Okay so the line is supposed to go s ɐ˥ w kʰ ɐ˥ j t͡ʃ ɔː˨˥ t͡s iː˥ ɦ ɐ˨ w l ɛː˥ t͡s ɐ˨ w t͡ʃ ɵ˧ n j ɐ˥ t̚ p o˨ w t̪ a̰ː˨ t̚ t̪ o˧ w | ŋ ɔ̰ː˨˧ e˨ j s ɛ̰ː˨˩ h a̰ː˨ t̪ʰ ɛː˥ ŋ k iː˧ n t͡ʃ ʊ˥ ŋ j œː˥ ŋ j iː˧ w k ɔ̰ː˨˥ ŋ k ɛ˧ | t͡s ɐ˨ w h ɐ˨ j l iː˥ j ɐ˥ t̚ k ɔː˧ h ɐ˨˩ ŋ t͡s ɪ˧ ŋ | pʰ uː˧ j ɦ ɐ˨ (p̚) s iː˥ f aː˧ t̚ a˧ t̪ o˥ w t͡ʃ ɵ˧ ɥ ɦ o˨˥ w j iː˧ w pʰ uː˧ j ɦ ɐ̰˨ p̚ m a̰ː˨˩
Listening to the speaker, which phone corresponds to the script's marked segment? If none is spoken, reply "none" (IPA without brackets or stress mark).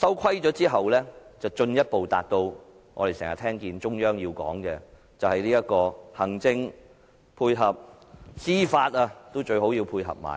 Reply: p̚